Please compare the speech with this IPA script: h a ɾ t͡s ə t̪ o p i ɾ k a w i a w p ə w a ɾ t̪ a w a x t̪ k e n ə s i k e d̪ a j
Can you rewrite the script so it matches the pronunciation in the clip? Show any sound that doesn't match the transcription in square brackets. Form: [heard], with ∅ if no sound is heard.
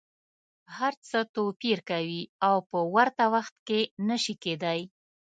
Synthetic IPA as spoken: h a ɾ t͡s ə t̪ o p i ɾ k a w i a w p ə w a ɾ t̪ a w a x t̪ k e n ə [ʃ] i k e d̪ a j